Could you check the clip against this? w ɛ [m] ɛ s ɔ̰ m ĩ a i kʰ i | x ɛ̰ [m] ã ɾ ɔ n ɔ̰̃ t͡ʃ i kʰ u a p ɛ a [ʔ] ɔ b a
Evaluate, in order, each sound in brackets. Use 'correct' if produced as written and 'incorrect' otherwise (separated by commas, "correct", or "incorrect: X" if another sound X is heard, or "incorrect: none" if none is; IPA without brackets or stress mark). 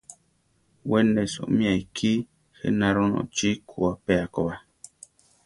incorrect: n, incorrect: n, incorrect: k